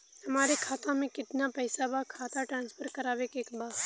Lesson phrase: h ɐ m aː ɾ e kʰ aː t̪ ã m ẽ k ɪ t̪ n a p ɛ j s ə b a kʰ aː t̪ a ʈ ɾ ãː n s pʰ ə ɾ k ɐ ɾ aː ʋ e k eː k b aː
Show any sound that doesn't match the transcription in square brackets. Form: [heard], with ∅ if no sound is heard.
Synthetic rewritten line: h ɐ m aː ɾ e kʰ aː t̪ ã m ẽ k ɪ t̪ n a p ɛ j s [a] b a kʰ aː t̪ a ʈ ɾ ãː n s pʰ ə ɾ k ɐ ɾ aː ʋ e k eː k b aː